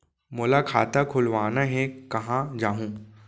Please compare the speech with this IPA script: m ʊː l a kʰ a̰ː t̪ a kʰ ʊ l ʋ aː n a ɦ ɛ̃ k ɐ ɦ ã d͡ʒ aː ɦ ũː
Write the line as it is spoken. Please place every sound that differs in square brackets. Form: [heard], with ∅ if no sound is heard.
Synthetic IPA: m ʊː l a kʰ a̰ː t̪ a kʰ ʊ l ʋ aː n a ɦ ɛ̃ k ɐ ɦ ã d͡ʒ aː ɦ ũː